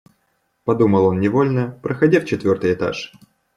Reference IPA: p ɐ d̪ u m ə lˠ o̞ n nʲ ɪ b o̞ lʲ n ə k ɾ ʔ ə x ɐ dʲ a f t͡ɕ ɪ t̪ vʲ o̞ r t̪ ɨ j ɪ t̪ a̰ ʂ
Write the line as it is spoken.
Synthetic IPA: p ɐ d̪ u m ə lˠ o̞ n nʲ ɪ v o̞ lʲ n ə p ɾ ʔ ə x ɐ dʲ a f t͡ɕ ɪ t̪ vʲ o̞ r t̪ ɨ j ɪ t̪ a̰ ʂ